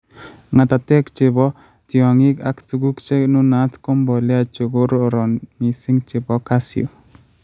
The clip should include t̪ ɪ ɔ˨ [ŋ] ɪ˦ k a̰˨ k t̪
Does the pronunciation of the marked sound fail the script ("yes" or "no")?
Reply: no